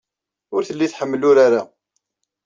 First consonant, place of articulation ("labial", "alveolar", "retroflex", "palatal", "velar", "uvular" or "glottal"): alveolar